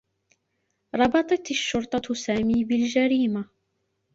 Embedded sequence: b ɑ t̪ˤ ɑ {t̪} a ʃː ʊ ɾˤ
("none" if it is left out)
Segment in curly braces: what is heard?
t̪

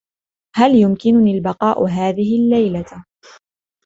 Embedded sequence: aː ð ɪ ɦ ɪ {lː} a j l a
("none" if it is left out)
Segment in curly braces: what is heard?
lː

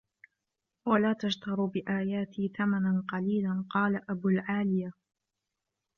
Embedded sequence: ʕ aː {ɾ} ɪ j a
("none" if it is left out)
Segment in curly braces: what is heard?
l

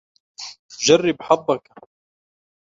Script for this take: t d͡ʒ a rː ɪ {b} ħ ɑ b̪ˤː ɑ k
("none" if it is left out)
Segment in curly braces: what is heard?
b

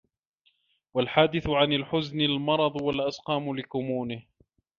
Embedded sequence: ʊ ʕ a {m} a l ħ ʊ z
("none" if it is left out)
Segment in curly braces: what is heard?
n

